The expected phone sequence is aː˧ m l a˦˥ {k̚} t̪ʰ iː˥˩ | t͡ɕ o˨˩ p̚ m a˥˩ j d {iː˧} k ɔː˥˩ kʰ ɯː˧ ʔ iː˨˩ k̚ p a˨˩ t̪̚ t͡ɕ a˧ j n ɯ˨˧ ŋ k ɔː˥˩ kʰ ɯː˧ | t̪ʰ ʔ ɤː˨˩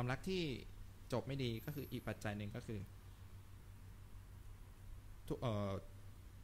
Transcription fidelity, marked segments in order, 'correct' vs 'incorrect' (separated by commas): correct, correct